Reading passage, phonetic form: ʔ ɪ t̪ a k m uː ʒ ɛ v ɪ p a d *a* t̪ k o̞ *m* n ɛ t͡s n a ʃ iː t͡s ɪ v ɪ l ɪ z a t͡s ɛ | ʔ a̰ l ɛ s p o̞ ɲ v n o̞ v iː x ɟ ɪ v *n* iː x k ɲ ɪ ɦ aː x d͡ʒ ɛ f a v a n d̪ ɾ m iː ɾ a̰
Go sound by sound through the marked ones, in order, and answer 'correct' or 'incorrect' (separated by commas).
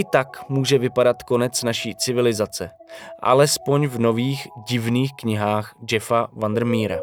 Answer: correct, incorrect, correct